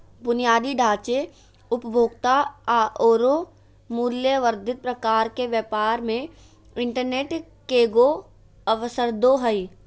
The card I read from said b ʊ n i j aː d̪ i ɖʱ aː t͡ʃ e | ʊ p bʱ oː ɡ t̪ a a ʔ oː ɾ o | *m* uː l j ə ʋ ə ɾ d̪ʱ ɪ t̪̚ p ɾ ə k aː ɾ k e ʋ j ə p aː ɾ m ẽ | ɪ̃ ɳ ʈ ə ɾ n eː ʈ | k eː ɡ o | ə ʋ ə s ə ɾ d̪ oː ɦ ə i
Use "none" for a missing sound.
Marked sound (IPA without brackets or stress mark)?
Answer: m